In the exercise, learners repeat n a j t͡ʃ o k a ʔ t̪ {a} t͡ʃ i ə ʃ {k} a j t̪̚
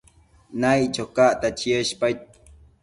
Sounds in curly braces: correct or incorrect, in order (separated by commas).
correct, incorrect